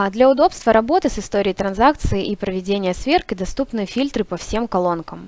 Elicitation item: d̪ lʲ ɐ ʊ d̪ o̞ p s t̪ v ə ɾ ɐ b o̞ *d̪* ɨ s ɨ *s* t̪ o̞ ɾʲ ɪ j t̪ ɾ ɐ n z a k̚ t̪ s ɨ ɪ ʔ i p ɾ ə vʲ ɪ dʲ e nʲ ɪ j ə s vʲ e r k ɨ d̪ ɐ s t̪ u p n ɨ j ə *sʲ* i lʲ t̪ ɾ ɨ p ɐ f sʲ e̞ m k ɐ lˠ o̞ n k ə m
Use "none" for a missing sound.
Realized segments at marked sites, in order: t̪, s, fʲ

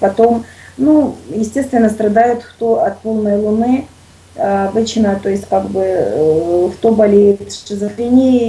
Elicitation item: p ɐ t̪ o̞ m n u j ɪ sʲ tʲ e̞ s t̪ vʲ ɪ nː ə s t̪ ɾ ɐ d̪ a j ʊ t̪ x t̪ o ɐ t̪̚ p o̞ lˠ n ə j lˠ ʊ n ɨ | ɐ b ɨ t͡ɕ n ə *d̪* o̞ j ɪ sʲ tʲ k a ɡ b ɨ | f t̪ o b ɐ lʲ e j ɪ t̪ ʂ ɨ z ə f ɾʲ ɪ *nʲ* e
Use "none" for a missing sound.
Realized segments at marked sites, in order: t̪, nʲ

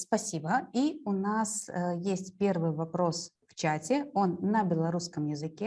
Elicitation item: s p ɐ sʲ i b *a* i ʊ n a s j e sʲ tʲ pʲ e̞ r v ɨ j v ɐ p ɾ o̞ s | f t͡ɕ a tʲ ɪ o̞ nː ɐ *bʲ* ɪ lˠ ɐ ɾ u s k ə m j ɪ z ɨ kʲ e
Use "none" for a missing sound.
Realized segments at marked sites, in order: ə, bʲ

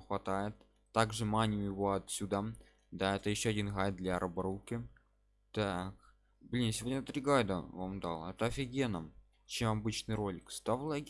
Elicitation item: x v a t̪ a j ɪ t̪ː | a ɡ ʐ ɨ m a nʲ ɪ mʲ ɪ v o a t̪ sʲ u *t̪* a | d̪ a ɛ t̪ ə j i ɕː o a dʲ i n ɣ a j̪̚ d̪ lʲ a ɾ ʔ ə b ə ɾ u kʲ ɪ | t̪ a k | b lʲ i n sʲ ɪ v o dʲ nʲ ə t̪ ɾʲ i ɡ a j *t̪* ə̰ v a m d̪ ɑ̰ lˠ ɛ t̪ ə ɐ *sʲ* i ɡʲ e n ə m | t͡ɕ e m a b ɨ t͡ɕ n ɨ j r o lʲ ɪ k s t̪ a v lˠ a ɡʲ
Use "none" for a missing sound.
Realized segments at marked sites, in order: d̪, d̪, fʲ

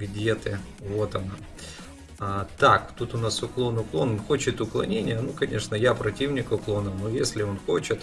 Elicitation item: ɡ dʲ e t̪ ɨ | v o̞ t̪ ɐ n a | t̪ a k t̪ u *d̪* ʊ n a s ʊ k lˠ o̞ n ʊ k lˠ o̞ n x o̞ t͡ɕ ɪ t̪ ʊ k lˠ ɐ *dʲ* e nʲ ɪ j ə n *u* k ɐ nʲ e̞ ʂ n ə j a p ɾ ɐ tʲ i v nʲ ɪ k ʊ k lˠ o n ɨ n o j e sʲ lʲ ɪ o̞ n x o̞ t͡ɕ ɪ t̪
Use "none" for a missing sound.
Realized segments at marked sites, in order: t̪, nʲ, u

